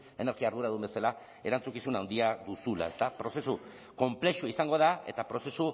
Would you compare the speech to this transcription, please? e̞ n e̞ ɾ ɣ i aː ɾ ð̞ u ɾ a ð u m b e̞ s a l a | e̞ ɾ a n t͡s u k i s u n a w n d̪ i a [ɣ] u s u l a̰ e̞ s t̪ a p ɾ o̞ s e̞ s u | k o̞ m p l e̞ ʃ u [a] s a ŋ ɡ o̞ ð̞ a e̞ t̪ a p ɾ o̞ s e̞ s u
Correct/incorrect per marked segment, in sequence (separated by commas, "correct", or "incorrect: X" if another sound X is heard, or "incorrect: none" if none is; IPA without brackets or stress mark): incorrect: ð, incorrect: i